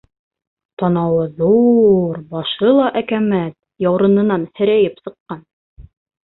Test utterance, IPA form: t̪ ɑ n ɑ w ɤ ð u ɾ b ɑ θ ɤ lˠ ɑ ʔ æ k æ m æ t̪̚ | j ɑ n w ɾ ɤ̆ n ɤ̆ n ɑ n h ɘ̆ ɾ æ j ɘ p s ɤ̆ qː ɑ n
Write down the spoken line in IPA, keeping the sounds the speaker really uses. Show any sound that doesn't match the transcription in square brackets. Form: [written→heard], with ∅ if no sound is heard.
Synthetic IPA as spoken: t̪ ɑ n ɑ w ɤ ð u ɾ b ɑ [θ→ʃ] ɤ lˠ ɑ ʔ æ k æ m æ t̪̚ | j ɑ [n→∅] w ɾ ɤ̆ n ɤ̆ n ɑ n h ɘ̆ ɾ æ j ɘ p s ɤ̆ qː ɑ n